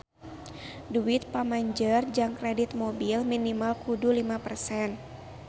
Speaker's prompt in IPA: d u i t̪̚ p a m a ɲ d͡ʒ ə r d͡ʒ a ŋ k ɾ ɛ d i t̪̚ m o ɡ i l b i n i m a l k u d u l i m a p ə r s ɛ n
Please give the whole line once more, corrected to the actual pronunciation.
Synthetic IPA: d u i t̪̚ p a m a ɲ d͡ʒ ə r d͡ʒ a ŋ k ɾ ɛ d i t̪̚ m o b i l m i n i m a l k u d u l i m a p ə r s ɛ n